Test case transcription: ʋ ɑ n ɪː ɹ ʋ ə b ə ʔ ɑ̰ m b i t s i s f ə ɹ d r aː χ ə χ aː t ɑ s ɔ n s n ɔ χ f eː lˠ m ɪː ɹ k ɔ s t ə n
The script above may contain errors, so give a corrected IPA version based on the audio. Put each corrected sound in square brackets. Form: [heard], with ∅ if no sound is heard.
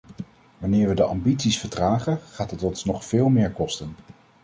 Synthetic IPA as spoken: ʋ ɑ n ɪː ɹ ʋ ə [d] ə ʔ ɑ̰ m b i t s i s f ə ɹ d r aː χ ə χ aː t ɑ [t] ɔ n s n ɔ χ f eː lˠ m ɪː ɹ k ɔ s t ə n